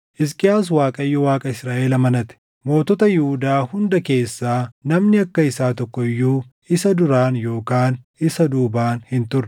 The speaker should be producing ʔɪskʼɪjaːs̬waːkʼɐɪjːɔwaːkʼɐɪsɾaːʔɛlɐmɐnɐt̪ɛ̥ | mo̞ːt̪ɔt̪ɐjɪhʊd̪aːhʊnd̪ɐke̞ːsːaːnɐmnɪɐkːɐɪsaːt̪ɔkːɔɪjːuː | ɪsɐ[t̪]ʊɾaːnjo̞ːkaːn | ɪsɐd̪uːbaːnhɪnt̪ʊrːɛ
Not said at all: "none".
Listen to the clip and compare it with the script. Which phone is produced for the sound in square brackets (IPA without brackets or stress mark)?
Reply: d̪